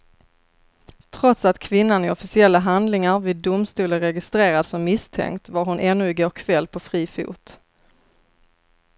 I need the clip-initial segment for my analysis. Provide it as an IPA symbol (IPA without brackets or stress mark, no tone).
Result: t̪ʰ